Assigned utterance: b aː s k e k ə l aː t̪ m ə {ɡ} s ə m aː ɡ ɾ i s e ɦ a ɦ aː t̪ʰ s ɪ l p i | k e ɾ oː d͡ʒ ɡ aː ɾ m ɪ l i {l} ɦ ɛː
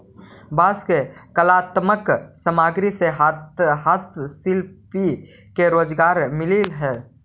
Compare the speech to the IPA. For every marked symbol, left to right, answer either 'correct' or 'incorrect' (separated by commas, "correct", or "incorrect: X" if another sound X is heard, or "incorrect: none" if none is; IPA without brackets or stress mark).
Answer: incorrect: k, correct